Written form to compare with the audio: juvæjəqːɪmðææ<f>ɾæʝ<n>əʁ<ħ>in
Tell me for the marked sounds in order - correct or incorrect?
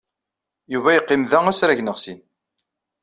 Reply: incorrect, correct, incorrect

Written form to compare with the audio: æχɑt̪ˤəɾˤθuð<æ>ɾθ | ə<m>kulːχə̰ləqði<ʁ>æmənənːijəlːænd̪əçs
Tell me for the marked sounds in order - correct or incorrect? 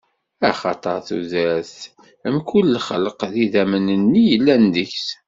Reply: correct, correct, incorrect

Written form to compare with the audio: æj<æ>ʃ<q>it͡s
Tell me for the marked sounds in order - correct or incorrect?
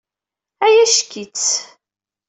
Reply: correct, incorrect

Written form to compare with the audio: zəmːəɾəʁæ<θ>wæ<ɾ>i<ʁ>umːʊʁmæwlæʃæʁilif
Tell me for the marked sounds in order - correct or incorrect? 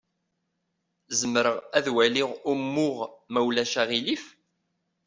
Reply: incorrect, incorrect, correct

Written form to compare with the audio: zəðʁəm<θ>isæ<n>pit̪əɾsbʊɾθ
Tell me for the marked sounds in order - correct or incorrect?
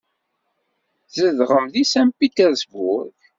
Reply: incorrect, incorrect

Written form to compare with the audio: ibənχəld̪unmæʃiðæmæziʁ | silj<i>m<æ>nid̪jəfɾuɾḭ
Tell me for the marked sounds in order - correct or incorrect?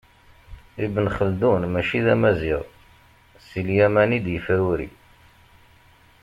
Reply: incorrect, correct

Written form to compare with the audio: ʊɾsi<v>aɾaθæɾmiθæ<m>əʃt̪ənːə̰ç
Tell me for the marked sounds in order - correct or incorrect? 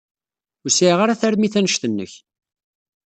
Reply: incorrect, incorrect

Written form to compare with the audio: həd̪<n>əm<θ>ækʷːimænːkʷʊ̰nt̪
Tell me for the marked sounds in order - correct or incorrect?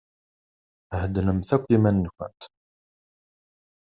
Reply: correct, correct

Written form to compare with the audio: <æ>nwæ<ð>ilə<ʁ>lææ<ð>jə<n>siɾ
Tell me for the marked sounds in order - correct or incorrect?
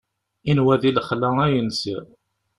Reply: incorrect, correct, incorrect, incorrect, correct

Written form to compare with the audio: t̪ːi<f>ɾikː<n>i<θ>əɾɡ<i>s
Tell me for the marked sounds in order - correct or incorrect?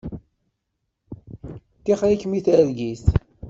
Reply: incorrect, incorrect, correct, correct

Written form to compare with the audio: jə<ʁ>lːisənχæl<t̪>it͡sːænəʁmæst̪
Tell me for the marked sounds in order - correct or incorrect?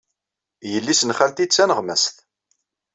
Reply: incorrect, correct

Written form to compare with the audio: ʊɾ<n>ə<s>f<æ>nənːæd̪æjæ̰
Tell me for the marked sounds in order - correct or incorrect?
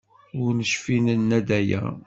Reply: correct, incorrect, incorrect

